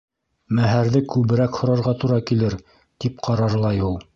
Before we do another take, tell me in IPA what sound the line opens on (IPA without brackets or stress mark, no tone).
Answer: m